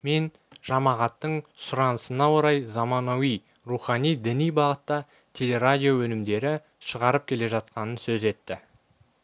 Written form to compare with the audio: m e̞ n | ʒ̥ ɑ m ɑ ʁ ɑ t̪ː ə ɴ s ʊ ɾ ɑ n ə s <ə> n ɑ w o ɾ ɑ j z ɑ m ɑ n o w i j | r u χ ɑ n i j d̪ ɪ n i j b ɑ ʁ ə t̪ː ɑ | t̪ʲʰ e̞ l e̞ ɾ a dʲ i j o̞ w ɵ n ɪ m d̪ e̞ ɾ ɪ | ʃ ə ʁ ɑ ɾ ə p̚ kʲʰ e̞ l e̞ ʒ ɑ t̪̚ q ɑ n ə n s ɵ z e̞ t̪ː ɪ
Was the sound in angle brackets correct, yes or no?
yes